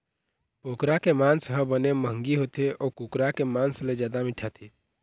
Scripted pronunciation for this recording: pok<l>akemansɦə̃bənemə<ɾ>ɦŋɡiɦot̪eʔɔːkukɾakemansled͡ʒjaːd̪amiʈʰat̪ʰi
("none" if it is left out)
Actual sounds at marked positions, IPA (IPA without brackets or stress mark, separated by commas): ɾ, none